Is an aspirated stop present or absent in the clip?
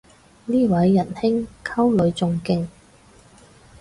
present